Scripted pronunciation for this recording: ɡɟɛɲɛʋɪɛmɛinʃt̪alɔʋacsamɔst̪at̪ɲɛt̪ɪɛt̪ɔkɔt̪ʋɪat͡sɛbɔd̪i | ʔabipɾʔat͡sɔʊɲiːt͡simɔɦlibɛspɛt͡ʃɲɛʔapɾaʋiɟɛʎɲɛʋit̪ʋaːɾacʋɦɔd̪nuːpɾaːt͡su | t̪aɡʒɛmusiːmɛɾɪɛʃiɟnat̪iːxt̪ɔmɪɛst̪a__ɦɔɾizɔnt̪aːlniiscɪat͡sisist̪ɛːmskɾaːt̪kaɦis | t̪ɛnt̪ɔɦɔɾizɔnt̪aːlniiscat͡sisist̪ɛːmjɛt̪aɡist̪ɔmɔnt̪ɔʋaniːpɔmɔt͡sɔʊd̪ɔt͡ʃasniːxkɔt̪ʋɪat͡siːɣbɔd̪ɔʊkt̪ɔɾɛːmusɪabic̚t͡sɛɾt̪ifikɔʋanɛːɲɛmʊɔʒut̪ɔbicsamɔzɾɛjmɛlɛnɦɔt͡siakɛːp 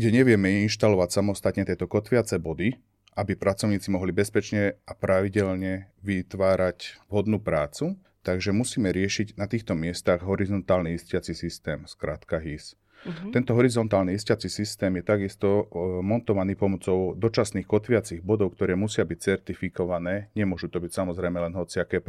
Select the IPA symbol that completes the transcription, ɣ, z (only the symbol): ɣ